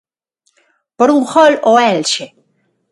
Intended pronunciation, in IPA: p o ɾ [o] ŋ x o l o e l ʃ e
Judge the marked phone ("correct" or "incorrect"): incorrect